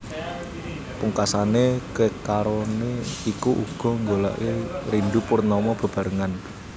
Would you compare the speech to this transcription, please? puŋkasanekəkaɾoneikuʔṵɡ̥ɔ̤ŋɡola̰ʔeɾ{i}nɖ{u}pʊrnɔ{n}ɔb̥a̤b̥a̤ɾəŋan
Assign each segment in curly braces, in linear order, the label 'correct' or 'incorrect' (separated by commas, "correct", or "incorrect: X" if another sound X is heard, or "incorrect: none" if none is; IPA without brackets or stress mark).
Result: correct, correct, incorrect: m